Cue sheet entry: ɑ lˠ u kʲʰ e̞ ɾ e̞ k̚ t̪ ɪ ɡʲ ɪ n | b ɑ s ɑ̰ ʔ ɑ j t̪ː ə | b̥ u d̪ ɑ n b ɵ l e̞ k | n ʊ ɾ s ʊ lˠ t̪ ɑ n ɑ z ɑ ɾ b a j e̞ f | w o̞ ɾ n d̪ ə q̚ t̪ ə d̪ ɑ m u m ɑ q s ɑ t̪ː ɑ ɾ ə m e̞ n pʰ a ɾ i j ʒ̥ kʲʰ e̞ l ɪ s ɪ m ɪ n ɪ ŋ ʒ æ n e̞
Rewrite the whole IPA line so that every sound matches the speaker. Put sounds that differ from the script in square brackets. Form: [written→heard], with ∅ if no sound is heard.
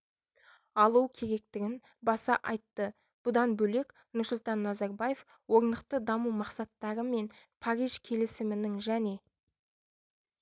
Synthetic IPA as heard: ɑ lˠ u kʲʰ e̞ ɾ e̞ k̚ t̪ ɪ ɡʲ ɪ n | b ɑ s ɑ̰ ʔ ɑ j t̪ː ə | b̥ [u→ʊ] d̪ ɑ n b ɵ l e̞ k | n ʊ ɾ s ʊ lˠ t̪ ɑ [n→nː] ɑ z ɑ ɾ b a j e̞ f | w o̞ ɾ n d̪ ə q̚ t̪ ə d̪ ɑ m u m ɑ q s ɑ t̪ː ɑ ɾ ə m e̞ n pʰ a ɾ i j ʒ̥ kʲʰ e̞ l ɪ s ɪ m ɪ n ɪ ŋ ʒ æ n e̞